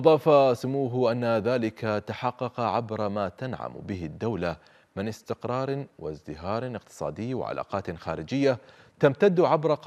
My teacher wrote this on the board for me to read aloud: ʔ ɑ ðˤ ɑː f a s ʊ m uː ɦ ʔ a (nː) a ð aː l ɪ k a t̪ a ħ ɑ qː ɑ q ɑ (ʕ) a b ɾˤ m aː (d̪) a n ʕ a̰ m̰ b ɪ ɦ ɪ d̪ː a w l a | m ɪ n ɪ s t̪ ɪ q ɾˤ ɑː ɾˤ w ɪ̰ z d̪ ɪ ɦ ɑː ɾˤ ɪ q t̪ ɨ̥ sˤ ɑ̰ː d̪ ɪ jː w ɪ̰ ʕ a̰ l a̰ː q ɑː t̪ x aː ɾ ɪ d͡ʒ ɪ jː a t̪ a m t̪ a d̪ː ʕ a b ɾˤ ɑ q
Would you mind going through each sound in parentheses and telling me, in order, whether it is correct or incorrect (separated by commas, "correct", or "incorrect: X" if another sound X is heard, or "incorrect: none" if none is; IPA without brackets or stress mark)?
correct, correct, incorrect: t̪